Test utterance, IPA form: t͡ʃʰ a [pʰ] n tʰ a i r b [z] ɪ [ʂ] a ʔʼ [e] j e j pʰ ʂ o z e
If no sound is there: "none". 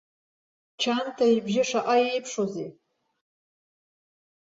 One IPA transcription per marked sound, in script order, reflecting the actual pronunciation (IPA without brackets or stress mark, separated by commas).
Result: none, ʒ, ʂ, a